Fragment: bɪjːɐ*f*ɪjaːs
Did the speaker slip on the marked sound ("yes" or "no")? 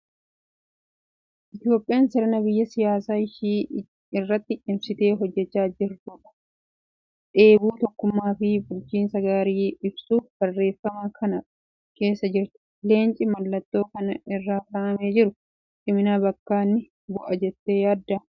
yes